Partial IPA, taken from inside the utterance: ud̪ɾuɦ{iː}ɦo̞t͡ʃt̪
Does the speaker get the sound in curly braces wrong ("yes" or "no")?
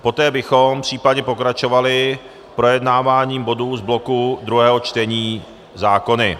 yes